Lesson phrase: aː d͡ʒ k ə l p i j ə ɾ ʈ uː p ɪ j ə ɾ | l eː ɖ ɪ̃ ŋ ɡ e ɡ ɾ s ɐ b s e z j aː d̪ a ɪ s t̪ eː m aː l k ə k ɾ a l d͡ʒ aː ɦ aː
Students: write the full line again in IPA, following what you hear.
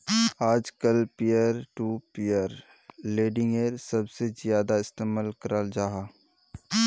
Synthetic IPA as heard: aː d͡ʒ k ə l p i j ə ɾ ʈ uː p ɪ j ə ɾ | l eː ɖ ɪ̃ ŋ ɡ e ɾ s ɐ b s e z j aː d̪ a ɪ s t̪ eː m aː l k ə ɾ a l d͡ʒ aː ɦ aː